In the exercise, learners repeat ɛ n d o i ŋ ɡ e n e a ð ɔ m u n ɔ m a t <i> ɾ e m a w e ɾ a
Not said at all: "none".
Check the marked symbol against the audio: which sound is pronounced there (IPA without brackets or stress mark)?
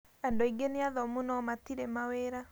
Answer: i